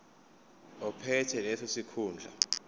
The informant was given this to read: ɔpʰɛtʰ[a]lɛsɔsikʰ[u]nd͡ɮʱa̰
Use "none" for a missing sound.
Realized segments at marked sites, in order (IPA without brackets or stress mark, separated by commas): ɛ, uː